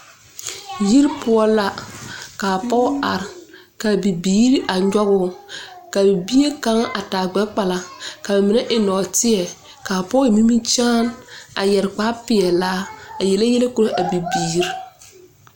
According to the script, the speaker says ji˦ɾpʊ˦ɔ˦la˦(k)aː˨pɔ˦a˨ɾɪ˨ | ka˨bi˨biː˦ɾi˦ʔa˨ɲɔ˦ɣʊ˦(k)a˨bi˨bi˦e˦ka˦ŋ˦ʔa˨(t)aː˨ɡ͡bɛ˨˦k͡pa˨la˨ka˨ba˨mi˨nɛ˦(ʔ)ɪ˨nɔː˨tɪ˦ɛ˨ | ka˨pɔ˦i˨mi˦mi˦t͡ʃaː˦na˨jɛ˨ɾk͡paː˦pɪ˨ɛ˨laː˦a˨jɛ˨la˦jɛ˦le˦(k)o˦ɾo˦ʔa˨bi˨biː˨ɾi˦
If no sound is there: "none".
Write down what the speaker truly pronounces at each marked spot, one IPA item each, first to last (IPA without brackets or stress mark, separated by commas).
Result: k, k, t, ʔ, k